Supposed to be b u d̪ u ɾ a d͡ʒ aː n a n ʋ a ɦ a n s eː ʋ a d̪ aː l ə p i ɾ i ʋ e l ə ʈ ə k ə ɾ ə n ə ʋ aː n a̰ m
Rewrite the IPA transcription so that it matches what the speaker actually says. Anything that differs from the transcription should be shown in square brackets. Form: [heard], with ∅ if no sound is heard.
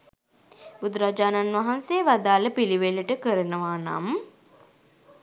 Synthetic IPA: b u d̪ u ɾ a d͡ʒ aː n a n ʋ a ɦ a n s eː ʋ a d̪ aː l ə p i [l] i ʋ e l ə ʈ ə k ə ɾ ə n ə ʋ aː n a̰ m

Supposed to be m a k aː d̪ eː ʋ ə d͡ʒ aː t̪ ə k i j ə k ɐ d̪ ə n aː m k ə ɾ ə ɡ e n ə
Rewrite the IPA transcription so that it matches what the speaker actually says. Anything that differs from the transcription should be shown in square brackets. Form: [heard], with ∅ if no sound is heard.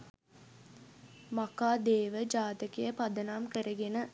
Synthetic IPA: m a k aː d̪ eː ʋ ə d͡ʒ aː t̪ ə k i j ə [p] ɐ d̪ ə n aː m k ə ɾ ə ɡ e n ə

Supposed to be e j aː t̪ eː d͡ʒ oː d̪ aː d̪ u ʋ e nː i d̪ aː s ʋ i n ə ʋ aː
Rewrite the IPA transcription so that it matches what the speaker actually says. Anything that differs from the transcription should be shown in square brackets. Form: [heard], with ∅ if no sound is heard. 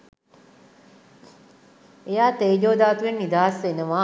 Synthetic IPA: e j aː t̪ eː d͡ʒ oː d̪ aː [t̪] u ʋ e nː i d̪ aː s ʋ [e] n ə ʋ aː

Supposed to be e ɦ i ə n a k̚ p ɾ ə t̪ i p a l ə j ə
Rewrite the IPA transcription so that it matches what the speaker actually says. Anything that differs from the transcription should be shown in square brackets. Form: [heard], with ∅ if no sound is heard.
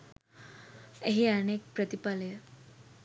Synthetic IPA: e ɦ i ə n [e] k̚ p ɾ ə t̪ i p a l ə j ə

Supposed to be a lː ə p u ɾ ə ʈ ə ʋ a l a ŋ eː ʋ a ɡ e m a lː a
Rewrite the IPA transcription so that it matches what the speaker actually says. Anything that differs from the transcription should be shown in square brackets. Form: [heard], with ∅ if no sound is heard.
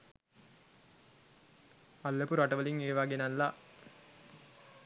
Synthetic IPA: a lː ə p u ɾ [a] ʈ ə ʋ [ə] l [i] ŋ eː ʋ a ɡ e [n] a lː a

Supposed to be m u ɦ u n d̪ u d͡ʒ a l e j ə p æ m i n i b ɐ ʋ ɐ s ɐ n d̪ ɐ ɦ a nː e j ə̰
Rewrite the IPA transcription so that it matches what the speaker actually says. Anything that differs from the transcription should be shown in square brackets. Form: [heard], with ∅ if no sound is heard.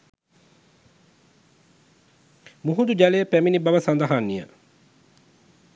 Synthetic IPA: m u ɦ u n d̪ u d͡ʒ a l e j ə p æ m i n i b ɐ ʋ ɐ s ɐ n d̪ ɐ ɦ a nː [i] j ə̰

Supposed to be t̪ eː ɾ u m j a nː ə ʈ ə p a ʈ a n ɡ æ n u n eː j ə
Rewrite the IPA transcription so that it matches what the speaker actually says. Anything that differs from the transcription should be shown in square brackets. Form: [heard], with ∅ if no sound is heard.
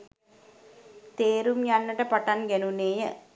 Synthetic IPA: t̪ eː ɾ u m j a nː ə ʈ ə p a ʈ a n ɡ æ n u n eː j ə

